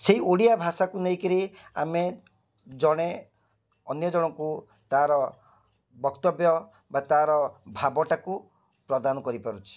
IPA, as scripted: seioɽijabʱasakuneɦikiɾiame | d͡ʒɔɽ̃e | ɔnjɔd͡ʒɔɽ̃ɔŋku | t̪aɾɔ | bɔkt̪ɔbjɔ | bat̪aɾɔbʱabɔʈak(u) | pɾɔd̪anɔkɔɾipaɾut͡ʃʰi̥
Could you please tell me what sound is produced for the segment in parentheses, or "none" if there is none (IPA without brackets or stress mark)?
u